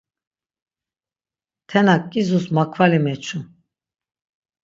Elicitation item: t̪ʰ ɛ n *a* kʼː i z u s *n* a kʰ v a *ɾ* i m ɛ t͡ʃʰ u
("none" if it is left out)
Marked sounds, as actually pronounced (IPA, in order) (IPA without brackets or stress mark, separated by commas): a, m, l